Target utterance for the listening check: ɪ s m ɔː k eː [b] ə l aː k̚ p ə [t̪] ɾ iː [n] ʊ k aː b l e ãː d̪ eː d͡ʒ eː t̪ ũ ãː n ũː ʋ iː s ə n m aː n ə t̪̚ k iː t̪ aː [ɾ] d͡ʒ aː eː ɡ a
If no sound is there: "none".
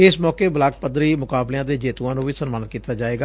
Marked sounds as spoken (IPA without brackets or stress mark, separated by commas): b, d̪, m, none